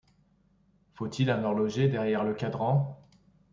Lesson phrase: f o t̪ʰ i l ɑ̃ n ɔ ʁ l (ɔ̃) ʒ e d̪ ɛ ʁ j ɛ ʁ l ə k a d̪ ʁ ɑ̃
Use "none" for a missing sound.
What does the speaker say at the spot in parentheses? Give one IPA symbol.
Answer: ɔ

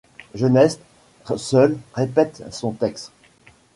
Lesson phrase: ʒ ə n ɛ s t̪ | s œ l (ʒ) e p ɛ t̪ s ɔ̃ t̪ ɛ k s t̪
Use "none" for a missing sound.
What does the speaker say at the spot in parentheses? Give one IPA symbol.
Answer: ʁ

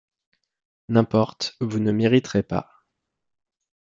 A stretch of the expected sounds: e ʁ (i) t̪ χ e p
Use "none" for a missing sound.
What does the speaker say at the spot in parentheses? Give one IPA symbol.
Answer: i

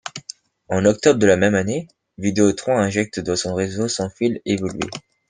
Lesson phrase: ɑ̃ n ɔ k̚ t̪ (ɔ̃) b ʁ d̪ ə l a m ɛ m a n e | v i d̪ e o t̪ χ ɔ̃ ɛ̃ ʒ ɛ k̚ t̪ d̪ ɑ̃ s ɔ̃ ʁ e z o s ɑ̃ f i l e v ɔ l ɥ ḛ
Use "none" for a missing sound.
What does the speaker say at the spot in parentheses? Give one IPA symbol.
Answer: ɔ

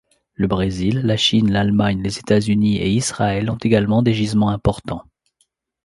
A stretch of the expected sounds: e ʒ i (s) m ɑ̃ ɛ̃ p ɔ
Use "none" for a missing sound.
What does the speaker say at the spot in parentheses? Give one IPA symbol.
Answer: z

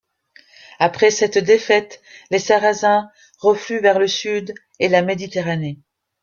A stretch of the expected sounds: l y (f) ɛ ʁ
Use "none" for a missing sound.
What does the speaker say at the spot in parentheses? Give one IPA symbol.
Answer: v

